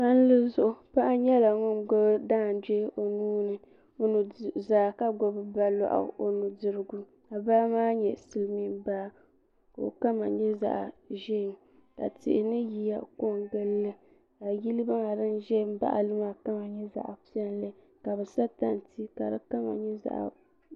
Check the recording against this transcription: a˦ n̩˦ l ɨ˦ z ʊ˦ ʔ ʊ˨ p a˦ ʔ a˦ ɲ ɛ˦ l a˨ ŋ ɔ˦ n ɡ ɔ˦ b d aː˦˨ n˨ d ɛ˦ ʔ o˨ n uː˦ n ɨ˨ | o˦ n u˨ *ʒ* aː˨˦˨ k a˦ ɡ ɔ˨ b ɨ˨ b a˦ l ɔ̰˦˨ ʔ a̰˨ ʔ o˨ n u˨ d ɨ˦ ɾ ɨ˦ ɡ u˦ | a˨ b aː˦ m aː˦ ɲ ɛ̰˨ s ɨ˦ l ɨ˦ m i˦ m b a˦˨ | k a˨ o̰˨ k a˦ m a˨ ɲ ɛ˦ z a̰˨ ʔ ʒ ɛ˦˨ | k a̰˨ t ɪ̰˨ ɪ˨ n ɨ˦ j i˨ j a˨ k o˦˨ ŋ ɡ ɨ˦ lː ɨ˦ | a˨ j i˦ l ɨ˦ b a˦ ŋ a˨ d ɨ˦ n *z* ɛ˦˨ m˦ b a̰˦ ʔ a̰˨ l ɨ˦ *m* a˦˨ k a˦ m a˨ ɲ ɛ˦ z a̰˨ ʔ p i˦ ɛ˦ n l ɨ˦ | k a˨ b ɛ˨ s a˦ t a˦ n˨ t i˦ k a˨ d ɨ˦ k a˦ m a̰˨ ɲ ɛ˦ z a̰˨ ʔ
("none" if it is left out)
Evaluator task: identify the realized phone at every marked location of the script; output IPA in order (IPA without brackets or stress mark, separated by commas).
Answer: z, ʒ, m